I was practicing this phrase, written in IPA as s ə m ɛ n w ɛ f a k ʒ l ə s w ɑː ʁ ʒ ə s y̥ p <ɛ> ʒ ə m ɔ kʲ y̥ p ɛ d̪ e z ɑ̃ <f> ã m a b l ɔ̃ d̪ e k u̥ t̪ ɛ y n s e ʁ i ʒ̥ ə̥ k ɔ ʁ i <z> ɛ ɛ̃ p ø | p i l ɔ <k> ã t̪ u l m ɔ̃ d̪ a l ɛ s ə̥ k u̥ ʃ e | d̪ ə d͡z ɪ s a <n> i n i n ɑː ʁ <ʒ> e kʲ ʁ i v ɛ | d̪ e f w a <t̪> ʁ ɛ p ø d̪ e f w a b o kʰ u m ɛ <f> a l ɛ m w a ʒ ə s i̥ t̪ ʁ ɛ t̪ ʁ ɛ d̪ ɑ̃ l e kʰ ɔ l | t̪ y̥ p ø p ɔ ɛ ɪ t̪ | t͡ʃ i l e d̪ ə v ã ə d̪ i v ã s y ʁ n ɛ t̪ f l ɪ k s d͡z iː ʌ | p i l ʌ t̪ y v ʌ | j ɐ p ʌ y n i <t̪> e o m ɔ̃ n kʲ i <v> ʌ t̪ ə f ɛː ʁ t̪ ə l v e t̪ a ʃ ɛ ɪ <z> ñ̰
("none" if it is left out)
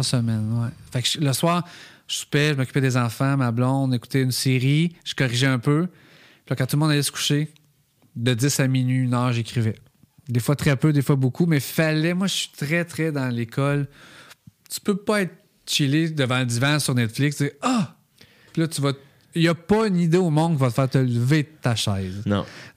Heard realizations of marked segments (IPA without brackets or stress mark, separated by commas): ɛ, f, ʒ, k, m, ʒ, t̪, f, d̪, v, z